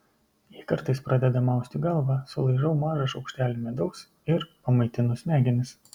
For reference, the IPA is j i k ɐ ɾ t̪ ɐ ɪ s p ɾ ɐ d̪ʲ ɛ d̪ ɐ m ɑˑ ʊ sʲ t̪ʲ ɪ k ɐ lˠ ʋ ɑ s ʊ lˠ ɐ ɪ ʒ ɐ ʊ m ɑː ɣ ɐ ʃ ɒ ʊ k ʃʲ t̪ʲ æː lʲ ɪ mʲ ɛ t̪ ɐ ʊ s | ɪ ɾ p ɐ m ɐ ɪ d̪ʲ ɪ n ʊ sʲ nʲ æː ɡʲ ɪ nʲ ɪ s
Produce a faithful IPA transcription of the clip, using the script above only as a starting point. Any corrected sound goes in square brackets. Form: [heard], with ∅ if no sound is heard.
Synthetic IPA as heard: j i k ɐ ɾ t̪ ɐ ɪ s p ɾ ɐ d̪ʲ ɛ d̪ ɐ m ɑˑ ʊ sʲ t̪ʲ ɪ [ɡ] ɐ lˠ ʋ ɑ s ʊ lˠ ɐ ɪ ʒ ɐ ʊ m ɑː [ʒ] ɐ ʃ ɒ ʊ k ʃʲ t̪ʲ æː lʲ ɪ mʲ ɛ [d̪] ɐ ʊ s | ɪ ɾ p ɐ m ɐ ɪ [t̪ʲ] ɪ n ʊ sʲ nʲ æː ɡʲ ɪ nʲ ɪ s